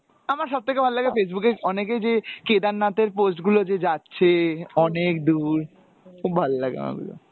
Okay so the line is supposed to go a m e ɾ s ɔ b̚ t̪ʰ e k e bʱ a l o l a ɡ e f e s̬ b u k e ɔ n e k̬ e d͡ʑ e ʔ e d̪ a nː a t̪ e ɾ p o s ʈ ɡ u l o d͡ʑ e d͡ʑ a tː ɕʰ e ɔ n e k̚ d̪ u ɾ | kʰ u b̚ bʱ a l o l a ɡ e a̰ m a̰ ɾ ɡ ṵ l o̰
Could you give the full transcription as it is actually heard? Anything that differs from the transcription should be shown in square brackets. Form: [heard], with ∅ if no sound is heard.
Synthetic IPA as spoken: a m [a] ɾ [ʃ] ɔ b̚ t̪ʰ e k e bʱ a l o l a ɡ e f e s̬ b u k e ɔ n e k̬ e d͡ʑ e [k] e d̪ a nː a t̪ e ɾ p o s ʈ ɡ u l o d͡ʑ e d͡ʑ a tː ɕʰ e ɔ n e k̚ d̪ u ɾ | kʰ u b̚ bʱ a l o l a ɡ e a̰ m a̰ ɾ ɡ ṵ l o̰